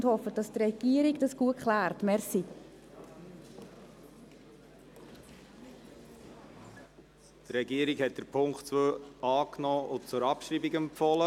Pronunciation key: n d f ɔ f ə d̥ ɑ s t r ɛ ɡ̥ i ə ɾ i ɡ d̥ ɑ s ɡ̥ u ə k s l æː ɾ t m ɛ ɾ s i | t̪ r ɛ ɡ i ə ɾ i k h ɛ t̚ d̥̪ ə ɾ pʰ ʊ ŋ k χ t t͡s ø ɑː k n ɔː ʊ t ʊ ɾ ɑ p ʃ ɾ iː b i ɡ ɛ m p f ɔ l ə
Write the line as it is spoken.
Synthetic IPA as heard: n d h ɔ f ə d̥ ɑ s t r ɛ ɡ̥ i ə ɾ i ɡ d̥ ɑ s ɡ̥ u ə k χ l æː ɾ t m ɛ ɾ s i | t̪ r ɛ ɡ i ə ɾ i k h ɛ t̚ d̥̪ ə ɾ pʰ ʊ ŋ k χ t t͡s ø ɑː k n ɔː ʊ t͡s ʊ ɾ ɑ p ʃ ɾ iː b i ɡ ɛ m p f ɔ l ə